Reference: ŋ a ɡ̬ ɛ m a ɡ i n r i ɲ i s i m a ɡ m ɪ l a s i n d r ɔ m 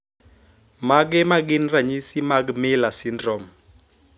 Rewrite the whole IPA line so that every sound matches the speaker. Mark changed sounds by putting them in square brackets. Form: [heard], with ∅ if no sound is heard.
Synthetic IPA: [m] a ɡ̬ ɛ m a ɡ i n r [a] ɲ i s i m a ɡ m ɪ l a s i n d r ɔ m